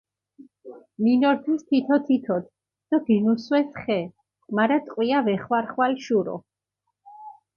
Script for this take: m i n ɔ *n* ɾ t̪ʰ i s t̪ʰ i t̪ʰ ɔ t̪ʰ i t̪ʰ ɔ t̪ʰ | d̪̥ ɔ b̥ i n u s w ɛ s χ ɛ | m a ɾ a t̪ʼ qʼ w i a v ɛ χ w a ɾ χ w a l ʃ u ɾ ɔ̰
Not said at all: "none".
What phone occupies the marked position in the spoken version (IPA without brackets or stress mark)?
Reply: none